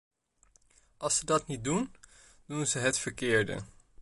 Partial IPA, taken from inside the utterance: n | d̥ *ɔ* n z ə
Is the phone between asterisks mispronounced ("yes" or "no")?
yes